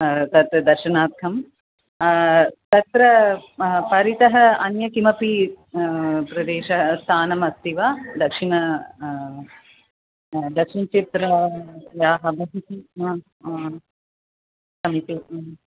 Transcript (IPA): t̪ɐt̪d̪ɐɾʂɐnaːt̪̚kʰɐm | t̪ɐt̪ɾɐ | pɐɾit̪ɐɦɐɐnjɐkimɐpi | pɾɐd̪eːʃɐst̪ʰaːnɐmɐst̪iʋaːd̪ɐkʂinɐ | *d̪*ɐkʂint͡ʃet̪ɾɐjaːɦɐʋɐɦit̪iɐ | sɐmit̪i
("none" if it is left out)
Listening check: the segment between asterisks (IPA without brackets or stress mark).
d̪